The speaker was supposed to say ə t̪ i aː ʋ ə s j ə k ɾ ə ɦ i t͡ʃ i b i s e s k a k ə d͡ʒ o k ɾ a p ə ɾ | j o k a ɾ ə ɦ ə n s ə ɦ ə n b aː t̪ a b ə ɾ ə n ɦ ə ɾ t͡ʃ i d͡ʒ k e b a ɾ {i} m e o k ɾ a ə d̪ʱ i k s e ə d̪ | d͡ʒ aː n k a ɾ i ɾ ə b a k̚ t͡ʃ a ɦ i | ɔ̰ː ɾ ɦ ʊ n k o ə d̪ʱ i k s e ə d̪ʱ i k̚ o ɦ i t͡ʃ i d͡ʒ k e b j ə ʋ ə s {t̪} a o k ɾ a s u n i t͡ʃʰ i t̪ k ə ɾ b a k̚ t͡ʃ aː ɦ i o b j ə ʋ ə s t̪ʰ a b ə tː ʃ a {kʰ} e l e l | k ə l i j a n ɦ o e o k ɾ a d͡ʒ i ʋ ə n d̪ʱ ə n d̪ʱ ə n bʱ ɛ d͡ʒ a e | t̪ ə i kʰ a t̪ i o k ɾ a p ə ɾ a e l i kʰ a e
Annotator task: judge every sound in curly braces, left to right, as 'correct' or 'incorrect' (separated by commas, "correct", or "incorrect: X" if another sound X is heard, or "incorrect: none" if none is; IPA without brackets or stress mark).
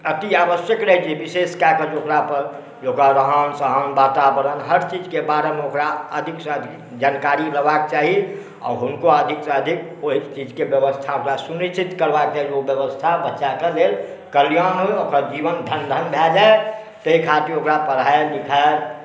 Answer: incorrect: e, incorrect: t̪ʰ, incorrect: k